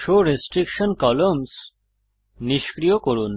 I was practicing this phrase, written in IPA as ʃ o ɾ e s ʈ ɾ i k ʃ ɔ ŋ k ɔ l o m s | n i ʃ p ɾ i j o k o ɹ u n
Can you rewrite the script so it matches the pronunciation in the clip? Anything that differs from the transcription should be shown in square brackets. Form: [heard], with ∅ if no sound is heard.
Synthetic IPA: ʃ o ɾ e s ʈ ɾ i k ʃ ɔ [n] k ɔ l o m s | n i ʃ [k] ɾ i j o k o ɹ u n

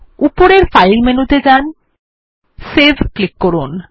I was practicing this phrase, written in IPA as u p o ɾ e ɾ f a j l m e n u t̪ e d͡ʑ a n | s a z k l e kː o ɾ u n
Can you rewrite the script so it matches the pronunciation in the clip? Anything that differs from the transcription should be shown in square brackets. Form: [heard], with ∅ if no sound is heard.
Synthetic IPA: u p o ɾ e ɾ f a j l m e n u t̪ e d͡ʑ a n | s [e] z k l [i] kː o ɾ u n

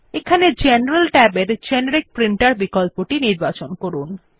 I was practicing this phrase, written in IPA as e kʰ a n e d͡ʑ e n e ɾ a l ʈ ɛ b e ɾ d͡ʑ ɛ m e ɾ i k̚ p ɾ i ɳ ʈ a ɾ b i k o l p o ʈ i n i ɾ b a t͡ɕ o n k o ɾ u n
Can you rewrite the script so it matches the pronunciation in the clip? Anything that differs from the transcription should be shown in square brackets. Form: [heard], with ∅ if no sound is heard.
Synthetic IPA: e kʰ a n e d͡ʑ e n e ɾ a l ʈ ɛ b e ɾ d͡ʑ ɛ [n] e ɾ i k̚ p ɾ i ɳ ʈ a ɾ b i k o l p o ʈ i n i ɾ b a t͡ɕ o n k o ɾ u n

